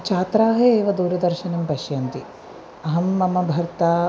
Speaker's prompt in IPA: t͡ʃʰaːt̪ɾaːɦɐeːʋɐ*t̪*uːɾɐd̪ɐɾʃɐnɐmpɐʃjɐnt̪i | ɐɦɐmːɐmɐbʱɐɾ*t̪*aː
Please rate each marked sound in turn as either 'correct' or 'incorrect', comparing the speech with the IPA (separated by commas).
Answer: incorrect, correct